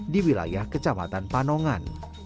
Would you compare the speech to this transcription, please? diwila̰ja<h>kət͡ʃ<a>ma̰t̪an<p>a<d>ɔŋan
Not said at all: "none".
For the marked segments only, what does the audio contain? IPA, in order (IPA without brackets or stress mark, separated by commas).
h, a, p, n